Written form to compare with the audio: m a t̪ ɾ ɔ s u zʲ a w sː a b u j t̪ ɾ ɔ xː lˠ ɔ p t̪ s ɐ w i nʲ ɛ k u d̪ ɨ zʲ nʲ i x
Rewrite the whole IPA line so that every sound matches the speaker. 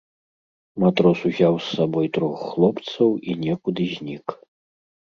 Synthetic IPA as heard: m a t̪ ɾ ɔ s u zʲ a w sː a b ɔ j t̪ ɾ ɔ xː lˠ ɔ p t̪ s ɐ w i nʲ ɛ k u d̪ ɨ zʲ nʲ i k